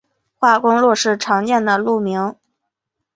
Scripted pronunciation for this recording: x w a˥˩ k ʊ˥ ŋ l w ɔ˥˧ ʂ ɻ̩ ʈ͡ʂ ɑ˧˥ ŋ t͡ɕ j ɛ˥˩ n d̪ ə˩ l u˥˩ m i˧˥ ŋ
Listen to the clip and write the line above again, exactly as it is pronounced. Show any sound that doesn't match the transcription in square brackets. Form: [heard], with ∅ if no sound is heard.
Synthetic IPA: x w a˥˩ k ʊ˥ ŋ l w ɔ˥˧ ʂ ɻ̩ [ʈ͡ʂʰ] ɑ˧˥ ŋ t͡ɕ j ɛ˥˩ n d̪ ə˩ l u˥˩ m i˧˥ ŋ